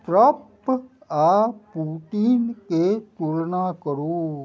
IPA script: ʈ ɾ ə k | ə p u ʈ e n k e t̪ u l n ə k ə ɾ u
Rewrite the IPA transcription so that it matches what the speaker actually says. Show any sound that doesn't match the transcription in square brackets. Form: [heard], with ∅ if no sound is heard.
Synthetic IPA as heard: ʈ ɾ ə [p] | [a] p u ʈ [i] n k e t̪ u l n [a] k ə ɾ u